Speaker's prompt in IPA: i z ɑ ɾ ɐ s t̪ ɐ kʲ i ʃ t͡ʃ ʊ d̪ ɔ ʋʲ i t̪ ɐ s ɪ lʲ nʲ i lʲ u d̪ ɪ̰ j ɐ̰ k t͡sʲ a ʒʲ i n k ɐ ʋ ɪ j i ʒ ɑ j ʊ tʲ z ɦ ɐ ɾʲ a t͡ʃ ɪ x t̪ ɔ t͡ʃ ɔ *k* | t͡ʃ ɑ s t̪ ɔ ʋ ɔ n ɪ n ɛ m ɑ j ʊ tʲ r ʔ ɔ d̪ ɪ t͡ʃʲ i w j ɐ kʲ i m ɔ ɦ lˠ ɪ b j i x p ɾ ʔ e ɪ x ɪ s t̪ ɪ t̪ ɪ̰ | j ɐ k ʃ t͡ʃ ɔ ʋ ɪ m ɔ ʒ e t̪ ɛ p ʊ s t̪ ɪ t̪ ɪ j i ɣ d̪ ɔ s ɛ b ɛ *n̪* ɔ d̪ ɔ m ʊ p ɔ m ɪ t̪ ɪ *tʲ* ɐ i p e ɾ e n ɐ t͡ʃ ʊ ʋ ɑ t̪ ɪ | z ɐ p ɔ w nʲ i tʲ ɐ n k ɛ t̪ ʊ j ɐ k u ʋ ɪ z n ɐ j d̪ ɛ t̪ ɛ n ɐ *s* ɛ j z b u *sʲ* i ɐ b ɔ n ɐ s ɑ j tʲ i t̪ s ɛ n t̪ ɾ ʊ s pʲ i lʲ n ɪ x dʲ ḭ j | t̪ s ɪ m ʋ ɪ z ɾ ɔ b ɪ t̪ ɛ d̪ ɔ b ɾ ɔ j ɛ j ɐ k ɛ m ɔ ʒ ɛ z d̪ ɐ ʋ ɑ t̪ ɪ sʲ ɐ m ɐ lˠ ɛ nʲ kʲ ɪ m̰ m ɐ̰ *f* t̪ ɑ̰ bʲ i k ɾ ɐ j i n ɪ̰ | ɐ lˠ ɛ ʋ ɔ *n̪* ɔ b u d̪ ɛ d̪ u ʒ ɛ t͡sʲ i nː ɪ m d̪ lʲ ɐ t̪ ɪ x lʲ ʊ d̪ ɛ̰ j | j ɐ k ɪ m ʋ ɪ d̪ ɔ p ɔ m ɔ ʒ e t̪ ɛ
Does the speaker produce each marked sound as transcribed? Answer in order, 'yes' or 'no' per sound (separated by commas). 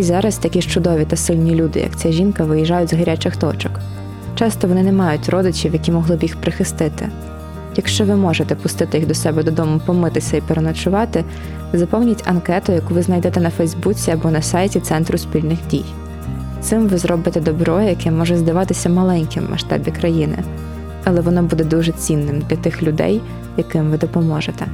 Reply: yes, no, no, no, no, no, yes